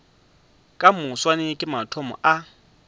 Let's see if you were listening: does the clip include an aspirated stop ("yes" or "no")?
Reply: yes